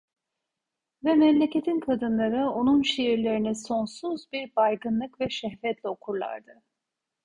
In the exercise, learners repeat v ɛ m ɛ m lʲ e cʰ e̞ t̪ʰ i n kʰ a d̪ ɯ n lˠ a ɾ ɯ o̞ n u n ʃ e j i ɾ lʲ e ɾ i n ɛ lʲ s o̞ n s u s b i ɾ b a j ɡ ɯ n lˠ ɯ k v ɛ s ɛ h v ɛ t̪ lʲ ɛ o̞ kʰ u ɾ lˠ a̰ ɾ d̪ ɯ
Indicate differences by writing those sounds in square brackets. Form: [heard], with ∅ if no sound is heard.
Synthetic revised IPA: v ɛ m ɛ m lʲ e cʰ e̞ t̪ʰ i n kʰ a d̪ ɯ n lˠ a ɾ ɯ o̞ n u n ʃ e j i ɾ lʲ e ɾ i n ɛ [∅] s o̞ n s u [z] b i ɾ b a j ɡ ɯ n lˠ ɯ k v ɛ [ʃ] ɛ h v ɛ t̪ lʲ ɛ o̞ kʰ u ɾ lˠ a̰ ɾ d̪ ɯ